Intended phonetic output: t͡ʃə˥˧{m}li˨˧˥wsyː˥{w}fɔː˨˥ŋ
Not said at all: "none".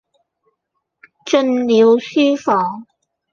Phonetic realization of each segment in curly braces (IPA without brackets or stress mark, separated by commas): n, none